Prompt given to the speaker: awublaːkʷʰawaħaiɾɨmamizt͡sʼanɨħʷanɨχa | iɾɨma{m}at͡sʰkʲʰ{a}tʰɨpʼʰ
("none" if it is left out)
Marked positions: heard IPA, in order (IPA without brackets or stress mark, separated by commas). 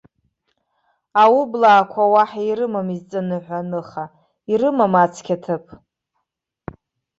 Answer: m, a